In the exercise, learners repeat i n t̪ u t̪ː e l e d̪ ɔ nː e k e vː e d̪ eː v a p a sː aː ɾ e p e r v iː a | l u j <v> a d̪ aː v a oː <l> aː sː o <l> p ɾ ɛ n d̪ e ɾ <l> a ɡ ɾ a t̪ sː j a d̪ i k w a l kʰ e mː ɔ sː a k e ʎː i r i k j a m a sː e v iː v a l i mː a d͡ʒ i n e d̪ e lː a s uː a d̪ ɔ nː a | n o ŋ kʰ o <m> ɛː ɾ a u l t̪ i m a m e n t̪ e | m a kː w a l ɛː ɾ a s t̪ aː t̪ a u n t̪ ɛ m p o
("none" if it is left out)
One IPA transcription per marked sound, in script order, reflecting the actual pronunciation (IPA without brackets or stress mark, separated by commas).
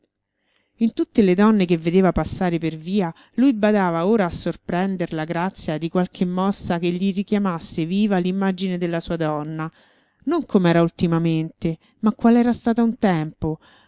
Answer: b, ɾ, r, l, m